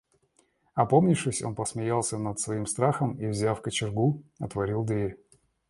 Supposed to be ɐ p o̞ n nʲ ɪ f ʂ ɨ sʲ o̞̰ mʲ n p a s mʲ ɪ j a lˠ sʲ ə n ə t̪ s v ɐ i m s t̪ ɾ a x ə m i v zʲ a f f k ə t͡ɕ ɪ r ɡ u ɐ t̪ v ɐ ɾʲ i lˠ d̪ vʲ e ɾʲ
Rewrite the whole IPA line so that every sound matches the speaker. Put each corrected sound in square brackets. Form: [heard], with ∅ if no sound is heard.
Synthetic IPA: ɐ p o̞ [m] nʲ ɪ f ʂ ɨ sʲ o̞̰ [∅] n p [ə] s mʲ ɪ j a lˠ sʲ ə n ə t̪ s v ɐ i m s t̪ ɾ a x ə m i v zʲ a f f k ə t͡ɕ ɪ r ɡ u ɐ t̪ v ɐ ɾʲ i lˠ d̪ vʲ e ɾʲ